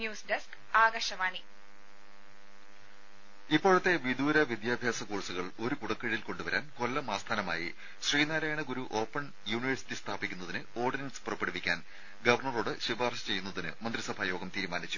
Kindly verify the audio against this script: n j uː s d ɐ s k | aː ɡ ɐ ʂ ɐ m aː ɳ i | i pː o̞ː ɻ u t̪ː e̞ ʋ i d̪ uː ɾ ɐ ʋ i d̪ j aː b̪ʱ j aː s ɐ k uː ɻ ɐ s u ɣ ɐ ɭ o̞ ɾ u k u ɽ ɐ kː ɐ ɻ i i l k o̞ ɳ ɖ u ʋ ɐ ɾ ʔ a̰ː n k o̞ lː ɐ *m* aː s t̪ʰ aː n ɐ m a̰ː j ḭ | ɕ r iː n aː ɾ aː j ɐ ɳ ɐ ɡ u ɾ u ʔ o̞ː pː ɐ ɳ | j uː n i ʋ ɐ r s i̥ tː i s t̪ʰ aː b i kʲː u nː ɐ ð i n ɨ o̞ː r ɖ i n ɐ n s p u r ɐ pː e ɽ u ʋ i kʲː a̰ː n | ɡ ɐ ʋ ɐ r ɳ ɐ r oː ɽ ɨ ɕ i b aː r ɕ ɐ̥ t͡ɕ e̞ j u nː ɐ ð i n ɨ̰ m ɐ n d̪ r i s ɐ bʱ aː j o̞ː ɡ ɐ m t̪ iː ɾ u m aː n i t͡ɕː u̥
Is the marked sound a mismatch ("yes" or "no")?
no